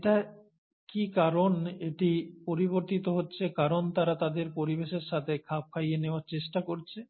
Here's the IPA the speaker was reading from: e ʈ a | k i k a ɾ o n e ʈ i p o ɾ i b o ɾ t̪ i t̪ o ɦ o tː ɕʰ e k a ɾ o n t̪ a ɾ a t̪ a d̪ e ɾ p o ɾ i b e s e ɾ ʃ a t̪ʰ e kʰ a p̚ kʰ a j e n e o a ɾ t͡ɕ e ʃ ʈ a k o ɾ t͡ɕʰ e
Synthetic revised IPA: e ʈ a | k i k a ɾ o n e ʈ i p o ɾ i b o ɾ t̪ i t̪ o ɦ o tː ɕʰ e k a ɾ o n t̪ a ɾ a t̪ a d̪ e ɾ p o ɾ i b e ʃ e ɾ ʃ a t̪ʰ e kʰ a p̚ kʰ a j e n e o a ɾ t͡ɕ e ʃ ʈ a k o ɾ t͡ɕʰ e